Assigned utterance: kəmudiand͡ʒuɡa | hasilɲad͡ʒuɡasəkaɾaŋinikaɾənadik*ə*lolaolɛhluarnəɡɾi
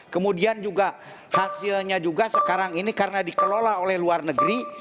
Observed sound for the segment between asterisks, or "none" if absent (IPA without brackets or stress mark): ə